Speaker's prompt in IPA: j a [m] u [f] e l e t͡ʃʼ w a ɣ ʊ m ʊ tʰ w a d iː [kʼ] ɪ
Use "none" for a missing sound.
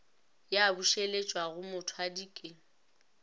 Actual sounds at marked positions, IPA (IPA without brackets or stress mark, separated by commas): b, ʃ, kʼ